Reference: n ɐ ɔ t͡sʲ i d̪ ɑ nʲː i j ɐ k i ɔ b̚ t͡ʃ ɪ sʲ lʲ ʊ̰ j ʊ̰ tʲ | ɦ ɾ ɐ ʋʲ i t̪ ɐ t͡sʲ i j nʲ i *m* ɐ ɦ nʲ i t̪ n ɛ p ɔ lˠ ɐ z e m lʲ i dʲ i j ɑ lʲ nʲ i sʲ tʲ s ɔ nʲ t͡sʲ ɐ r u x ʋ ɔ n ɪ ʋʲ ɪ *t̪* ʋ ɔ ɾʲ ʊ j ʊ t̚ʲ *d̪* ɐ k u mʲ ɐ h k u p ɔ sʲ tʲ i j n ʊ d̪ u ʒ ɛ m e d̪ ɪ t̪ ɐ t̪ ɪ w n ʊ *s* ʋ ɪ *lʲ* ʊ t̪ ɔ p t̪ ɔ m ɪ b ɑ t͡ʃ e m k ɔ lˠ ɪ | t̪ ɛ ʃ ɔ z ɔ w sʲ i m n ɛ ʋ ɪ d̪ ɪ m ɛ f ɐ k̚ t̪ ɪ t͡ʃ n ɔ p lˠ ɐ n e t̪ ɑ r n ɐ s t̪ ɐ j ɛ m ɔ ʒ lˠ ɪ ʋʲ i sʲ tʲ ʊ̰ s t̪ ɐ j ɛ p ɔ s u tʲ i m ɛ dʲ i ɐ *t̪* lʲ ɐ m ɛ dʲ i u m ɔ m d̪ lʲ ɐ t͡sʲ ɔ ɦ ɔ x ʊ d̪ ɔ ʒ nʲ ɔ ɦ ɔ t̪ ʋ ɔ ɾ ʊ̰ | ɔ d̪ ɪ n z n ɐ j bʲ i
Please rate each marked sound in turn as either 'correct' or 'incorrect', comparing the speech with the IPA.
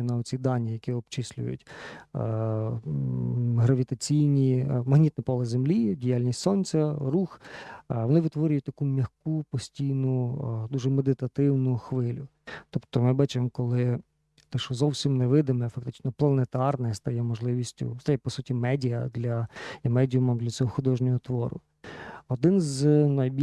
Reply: correct, correct, incorrect, incorrect, correct, incorrect

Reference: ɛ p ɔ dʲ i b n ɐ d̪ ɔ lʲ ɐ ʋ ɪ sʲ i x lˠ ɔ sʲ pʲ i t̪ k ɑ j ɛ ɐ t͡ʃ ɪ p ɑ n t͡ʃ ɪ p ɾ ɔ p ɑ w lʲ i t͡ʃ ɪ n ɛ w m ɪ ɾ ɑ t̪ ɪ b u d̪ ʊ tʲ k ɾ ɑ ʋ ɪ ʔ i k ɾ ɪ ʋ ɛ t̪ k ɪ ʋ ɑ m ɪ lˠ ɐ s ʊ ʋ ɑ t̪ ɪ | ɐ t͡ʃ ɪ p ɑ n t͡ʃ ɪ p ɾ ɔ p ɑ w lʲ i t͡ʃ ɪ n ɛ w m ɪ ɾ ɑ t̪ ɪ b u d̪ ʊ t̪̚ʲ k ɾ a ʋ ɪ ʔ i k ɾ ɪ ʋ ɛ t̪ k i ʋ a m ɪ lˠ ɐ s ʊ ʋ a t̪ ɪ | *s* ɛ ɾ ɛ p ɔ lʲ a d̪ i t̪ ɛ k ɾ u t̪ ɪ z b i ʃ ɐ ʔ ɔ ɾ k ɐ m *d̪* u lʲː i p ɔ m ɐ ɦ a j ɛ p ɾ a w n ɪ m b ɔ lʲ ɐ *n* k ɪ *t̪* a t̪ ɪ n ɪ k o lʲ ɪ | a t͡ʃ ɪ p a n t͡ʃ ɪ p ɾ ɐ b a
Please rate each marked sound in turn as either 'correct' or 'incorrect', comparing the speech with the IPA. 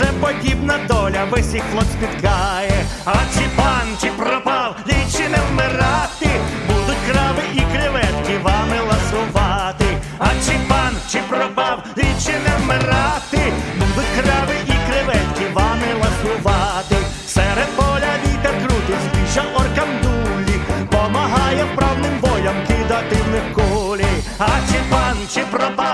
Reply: correct, correct, incorrect, incorrect

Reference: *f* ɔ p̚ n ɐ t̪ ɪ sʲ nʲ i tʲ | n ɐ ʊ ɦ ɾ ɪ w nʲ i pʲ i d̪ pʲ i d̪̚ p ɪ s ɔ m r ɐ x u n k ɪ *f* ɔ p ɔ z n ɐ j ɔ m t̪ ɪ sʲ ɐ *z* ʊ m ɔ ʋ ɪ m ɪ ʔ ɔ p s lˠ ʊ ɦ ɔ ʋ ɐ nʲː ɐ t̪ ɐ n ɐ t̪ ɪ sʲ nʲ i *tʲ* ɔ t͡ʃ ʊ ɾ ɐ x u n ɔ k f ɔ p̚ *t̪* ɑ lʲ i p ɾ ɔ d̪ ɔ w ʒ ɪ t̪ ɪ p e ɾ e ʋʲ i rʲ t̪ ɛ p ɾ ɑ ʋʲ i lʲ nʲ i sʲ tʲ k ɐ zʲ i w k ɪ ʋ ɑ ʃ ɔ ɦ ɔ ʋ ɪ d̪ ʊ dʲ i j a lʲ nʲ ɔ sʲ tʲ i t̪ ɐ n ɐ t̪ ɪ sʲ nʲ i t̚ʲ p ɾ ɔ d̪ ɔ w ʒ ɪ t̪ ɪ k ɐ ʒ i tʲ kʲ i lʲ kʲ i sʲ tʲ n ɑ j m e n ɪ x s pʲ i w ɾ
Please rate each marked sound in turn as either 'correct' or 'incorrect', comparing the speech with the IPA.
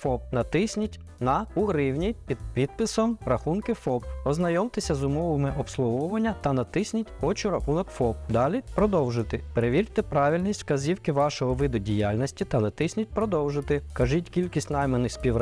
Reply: correct, correct, correct, correct, incorrect

